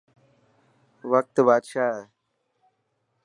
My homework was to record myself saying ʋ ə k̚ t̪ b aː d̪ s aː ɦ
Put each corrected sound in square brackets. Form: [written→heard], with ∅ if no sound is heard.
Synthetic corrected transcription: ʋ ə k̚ t̪ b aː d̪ [s→ʃ] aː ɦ